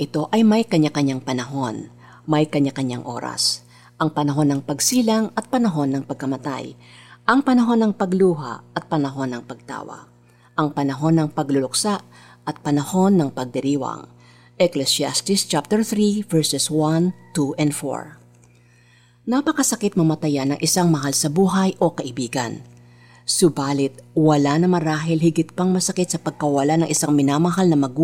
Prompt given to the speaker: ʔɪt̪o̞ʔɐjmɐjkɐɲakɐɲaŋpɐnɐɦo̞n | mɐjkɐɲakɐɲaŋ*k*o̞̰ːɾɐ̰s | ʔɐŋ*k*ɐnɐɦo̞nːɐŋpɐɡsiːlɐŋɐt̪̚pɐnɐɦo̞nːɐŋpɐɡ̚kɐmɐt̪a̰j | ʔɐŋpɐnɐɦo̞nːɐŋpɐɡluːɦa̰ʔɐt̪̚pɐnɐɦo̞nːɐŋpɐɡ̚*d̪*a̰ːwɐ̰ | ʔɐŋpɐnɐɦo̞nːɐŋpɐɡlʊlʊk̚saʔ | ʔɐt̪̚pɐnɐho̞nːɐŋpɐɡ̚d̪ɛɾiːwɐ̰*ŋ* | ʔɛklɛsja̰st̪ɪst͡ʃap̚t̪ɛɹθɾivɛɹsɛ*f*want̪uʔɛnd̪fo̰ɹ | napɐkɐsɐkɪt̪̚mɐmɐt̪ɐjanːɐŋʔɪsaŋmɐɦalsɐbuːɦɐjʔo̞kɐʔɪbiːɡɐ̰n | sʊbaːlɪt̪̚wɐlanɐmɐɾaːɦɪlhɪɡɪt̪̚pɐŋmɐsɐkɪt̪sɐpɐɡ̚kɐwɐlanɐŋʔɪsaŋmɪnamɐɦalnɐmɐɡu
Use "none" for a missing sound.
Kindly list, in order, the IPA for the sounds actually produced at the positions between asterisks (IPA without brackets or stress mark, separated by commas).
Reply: ʔ, p, t̪, ŋ, s